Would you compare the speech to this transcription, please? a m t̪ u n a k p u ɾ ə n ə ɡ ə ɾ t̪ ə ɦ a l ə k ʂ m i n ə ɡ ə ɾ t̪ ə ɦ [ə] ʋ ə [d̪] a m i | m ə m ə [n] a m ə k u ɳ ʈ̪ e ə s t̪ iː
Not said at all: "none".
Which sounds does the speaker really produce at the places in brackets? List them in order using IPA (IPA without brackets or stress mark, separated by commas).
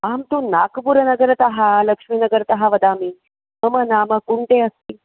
a, d̪, n